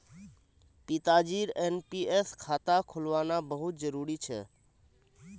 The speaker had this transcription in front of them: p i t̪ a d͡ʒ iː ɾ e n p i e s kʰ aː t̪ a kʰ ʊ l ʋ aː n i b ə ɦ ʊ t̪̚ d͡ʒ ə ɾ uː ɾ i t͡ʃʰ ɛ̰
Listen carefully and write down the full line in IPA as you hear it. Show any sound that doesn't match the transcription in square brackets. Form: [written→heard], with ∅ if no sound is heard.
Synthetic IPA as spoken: p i t̪ a d͡ʒ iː ɾ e n p i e s kʰ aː t̪ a kʰ ʊ l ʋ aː n [i→a] b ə ɦ ʊ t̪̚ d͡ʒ ə ɾ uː ɾ i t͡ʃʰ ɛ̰

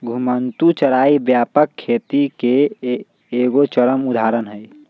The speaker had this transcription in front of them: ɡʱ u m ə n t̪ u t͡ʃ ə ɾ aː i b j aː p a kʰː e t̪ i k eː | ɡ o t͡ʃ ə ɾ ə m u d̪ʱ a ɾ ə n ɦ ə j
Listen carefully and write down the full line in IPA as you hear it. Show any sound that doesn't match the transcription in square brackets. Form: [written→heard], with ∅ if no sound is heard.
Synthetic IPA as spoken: ɡʱ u m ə n t̪ u t͡ʃ ə ɾ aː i b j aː p [a→ə] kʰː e t̪ i k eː | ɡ o t͡ʃ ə ɾ ə m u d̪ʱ a ɾ ə n ɦ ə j

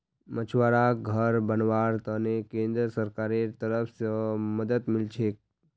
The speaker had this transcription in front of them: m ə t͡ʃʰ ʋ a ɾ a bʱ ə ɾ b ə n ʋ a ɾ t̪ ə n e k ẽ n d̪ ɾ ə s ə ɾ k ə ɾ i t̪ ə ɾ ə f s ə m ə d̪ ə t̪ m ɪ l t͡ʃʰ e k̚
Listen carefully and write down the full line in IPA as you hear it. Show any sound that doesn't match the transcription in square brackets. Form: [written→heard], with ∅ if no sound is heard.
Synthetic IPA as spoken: m ə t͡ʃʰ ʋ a ɾ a [bʱ→ɡʱ] ə ɾ b ə n ʋ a ɾ t̪ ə n e k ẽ n d̪ ɾ ə s ə ɾ k [ə→a] ɾ [i→e] t̪ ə ɾ ə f s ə m ə d̪ ə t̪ m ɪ l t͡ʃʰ e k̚

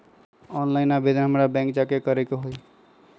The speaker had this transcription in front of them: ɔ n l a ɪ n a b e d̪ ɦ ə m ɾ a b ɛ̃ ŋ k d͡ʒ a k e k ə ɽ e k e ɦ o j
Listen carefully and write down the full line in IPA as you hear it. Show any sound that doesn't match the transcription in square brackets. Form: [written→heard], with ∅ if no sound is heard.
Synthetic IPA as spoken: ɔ n l a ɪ n a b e d̪ ɦ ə m ɾ a b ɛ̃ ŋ k d͡ʒ a k e k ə [ɽ→ɾ] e k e ɦ o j

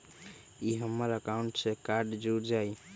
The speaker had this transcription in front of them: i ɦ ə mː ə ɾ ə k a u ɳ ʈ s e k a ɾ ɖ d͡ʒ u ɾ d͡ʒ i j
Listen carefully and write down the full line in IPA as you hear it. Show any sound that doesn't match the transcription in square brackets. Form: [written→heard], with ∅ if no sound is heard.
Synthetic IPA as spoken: i ɦ ə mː ə ɾ ə k a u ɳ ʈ s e k a ɾ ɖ d͡ʒ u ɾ d͡ʒ [i→a] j

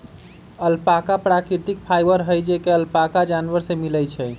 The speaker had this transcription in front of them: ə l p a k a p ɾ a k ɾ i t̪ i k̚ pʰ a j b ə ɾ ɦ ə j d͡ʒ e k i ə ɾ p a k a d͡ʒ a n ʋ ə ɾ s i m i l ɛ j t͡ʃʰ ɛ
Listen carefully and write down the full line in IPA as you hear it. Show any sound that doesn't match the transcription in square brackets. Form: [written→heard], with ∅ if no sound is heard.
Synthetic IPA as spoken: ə l p a k a p ɾ a k ɾ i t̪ i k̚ pʰ a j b ə ɾ ɦ ə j d͡ʒ e k [i→e] ə [ɾ→l] p a k a d͡ʒ a n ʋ ə ɾ s [i→e] m i l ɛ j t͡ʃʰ ɛ

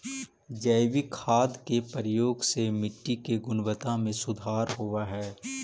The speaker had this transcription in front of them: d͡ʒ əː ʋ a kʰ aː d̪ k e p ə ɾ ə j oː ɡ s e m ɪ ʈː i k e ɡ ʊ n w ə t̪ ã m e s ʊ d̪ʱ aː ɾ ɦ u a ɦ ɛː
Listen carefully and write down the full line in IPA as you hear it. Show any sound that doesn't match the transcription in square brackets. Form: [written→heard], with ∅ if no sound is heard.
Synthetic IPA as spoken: d͡ʒ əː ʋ [a→i] kʰ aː d̪ k e p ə ɾ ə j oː ɡ s e m ɪ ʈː i k e ɡ ʊ n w ə t̪ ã m [e→ẽ] s ʊ d̪ʱ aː ɾ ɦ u a ɦ ɛː

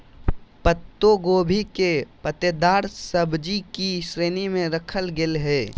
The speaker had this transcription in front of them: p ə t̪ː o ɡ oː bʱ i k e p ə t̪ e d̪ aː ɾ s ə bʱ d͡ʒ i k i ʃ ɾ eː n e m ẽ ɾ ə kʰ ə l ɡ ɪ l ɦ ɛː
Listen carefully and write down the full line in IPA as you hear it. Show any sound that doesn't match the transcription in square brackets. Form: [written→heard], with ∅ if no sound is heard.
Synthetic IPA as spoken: p ə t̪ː o ɡ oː bʱ i k e p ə t̪ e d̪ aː ɾ s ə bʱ d͡ʒ i k i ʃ ɾ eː n [e→i] m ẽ ɾ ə kʰ ə l ɡ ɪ l ɦ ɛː

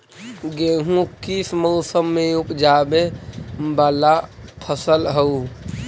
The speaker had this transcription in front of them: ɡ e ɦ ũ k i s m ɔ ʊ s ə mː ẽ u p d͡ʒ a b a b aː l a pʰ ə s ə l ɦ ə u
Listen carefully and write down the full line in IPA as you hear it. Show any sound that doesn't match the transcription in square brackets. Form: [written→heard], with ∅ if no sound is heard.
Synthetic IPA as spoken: ɡ e ɦ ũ k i s m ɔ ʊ s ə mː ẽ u p d͡ʒ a b [a→e] b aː l a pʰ ə s ə l ɦ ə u

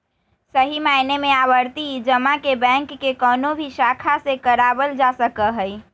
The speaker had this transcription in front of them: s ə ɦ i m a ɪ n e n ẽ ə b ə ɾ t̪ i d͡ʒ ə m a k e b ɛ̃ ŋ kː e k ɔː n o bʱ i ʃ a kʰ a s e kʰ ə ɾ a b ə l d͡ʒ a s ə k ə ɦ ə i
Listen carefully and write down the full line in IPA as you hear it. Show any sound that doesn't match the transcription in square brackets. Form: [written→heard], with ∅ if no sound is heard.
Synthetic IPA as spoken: s ə ɦ i m a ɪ n e [n→m] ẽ [ə→a] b ə ɾ t̪ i d͡ʒ ə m a k e b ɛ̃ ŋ kː e k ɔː n o bʱ i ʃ a kʰ a s e [kʰ→k] ə ɾ a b ə l d͡ʒ a s ə k ə ɦ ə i

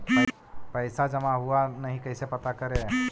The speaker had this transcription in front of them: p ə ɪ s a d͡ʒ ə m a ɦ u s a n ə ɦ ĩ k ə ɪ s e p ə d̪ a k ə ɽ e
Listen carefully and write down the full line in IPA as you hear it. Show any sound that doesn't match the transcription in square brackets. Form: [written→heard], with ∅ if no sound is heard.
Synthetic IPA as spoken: p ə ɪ s a d͡ʒ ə m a ɦ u [s→∅] a n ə ɦ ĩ k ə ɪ s e p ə [d̪→t̪] a k ə [ɽ→ɾ] e

